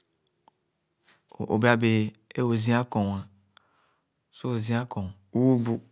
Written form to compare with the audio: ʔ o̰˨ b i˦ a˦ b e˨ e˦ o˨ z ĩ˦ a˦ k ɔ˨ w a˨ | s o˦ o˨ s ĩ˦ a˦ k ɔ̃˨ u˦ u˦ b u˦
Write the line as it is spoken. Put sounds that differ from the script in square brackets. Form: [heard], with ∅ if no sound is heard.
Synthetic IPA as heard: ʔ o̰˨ b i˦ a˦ b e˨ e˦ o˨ z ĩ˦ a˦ k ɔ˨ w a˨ | s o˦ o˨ [z] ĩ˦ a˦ k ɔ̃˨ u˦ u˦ b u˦